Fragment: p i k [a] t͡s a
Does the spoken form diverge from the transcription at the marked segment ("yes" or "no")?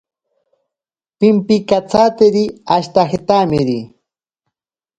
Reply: no